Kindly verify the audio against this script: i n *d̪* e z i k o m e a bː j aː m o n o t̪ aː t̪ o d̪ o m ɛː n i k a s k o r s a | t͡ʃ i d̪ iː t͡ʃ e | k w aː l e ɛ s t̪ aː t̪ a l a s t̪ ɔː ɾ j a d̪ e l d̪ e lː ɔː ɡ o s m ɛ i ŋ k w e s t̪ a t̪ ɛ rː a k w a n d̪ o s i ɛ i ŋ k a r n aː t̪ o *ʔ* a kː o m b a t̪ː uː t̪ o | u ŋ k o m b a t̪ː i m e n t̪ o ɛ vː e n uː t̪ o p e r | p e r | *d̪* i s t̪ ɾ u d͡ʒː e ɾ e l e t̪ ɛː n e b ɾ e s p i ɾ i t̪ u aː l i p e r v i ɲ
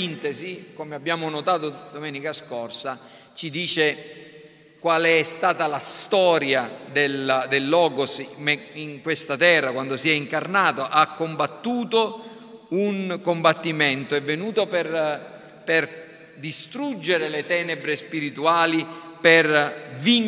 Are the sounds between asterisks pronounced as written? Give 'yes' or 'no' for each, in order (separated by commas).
no, yes, yes